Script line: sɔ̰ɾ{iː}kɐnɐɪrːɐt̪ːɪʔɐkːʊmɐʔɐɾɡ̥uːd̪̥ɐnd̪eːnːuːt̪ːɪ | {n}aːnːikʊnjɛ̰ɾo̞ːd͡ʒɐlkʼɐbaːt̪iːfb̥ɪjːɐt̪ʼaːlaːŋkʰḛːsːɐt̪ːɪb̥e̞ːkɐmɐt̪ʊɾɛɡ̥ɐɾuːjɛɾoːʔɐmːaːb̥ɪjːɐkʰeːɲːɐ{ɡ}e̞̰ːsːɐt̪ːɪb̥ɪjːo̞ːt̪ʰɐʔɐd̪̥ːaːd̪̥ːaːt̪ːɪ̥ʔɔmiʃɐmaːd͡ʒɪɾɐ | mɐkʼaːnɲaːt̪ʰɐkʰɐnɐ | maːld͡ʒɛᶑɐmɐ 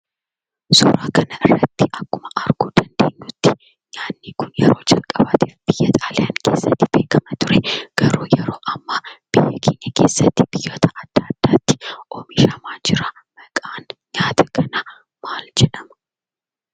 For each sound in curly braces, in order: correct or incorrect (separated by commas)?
incorrect, incorrect, incorrect